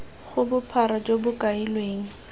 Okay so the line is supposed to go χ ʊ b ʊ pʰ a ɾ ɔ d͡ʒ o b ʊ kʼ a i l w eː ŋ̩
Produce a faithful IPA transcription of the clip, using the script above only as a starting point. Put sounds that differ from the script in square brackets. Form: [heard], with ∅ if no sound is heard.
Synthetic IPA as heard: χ ʊ b ʊ pʰ a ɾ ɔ d͡ʒ o b ʊ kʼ a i l w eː ŋ̩